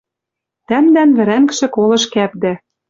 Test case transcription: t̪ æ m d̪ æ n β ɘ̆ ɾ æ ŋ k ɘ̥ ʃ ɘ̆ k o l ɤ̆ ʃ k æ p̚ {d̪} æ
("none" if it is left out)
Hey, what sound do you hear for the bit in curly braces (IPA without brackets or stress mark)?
d̪